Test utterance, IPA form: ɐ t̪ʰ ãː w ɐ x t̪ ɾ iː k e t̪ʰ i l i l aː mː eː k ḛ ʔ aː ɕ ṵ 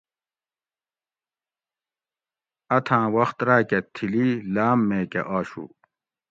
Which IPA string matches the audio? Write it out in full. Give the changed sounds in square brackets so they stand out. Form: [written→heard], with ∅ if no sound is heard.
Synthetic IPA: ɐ t̪ʰ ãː w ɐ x t̪ ɾ [iː→aː] k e t̪ʰ i l i l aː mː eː k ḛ ʔ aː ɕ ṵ